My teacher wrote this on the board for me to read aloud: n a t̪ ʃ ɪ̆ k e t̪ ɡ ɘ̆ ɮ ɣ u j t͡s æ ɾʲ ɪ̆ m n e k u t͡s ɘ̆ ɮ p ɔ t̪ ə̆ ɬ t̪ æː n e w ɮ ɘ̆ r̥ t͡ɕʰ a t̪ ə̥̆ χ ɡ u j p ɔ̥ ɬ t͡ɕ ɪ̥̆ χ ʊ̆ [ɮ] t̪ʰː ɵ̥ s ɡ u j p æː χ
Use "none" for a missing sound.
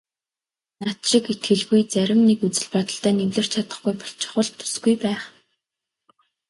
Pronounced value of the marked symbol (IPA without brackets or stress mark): ɮ